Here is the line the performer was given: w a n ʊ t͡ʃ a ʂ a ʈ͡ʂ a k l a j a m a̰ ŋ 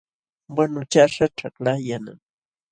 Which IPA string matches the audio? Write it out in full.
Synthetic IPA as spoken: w a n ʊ t͡ʃ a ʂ a ʈ͡ʂ a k l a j a n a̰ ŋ